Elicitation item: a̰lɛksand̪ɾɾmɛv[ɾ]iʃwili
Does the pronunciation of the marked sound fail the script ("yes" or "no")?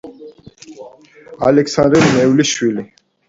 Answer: yes